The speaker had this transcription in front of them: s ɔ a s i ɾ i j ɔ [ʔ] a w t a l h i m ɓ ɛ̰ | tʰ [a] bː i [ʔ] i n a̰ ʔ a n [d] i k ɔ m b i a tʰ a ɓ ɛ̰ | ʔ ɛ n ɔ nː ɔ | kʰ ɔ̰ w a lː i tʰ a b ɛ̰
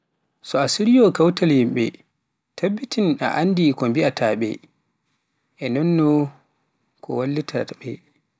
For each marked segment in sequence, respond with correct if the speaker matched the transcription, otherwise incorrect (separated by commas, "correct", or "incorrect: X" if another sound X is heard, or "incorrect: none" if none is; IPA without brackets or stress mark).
incorrect: k, correct, incorrect: t, correct